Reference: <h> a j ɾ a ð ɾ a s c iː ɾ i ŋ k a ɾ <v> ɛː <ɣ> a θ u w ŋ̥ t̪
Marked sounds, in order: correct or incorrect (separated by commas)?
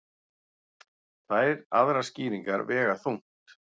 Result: incorrect, correct, correct